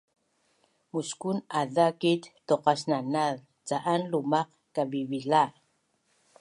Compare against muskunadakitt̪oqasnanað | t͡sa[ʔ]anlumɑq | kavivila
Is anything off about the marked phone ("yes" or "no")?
no